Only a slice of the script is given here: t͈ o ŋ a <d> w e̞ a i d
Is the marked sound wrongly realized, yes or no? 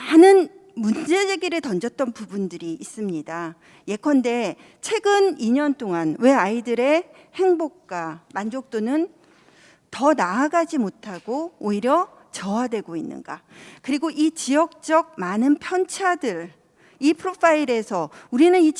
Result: yes